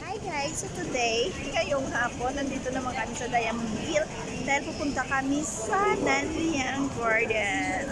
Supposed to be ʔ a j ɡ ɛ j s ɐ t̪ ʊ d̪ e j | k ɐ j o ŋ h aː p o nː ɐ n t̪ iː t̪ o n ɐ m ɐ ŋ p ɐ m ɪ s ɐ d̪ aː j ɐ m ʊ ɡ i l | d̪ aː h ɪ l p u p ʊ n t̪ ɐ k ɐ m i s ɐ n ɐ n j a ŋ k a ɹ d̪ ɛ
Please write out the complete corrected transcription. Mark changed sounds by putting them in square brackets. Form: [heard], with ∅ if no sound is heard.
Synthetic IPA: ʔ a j ɡ [a] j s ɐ t̪ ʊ d̪ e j | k ɐ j o ŋ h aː p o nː ɐ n [d̪] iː t̪ o n ɐ m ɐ ŋ [k] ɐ m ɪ s ɐ d̪ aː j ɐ m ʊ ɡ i l | d̪ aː h ɪ l p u p ʊ n t̪ ɐ k ɐ m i s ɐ n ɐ n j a ŋ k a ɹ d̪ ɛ